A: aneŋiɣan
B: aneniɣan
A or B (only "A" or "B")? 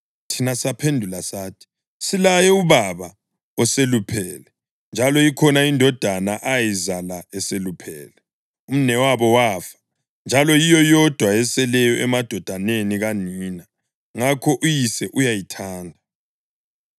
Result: B